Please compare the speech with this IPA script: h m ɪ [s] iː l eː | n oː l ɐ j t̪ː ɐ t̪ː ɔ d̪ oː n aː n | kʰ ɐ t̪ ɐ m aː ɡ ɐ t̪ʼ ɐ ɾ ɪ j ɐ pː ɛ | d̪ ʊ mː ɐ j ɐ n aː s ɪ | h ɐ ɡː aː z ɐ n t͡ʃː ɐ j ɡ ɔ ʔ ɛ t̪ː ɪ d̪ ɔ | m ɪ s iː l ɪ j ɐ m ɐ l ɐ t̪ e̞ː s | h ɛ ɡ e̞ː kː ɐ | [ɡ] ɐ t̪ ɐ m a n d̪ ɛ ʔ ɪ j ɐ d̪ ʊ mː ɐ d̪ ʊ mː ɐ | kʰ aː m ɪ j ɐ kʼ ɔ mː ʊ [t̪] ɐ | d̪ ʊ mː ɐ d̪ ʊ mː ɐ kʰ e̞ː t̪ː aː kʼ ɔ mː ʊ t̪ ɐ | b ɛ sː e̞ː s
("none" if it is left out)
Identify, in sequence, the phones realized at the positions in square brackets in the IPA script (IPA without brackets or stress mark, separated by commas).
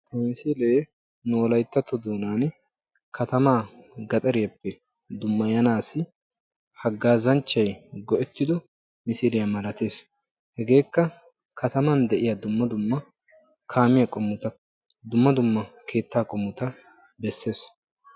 s, k, t̪